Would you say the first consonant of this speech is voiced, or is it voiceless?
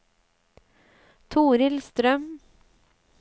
voiceless